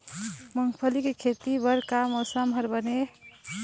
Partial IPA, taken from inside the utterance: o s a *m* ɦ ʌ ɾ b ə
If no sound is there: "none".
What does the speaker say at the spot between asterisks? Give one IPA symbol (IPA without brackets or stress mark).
m